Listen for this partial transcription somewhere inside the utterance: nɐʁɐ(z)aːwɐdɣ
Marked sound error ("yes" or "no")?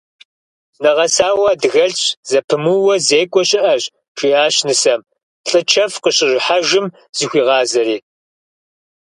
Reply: yes